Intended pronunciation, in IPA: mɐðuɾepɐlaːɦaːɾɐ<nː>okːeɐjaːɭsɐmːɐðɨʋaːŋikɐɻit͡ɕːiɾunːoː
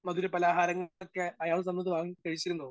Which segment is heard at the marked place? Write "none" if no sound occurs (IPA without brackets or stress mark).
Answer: ŋː